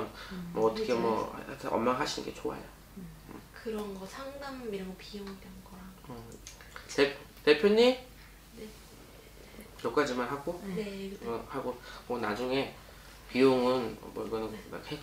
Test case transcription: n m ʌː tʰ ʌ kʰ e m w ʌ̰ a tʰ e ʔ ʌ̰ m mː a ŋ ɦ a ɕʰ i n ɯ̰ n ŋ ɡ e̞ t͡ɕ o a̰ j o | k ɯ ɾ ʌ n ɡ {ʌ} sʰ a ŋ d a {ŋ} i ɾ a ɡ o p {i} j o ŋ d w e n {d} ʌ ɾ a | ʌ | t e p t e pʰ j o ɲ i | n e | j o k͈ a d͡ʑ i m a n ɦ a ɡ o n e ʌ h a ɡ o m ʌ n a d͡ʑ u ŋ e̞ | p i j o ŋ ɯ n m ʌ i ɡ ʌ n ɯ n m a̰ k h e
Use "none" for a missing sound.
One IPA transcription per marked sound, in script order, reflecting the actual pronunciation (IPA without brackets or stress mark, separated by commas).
ʌ, m, i, ɡ